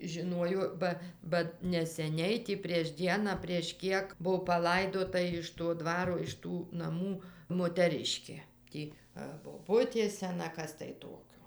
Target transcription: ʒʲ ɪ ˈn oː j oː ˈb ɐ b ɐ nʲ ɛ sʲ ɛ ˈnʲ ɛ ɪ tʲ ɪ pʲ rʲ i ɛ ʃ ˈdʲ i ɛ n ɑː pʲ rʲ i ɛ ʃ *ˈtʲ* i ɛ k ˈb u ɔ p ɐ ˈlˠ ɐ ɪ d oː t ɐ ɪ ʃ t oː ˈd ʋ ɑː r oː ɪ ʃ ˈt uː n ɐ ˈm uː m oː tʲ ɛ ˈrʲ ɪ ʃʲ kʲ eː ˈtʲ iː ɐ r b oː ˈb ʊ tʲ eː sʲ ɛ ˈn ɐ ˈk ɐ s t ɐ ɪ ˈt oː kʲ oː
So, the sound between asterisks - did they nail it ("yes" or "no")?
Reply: no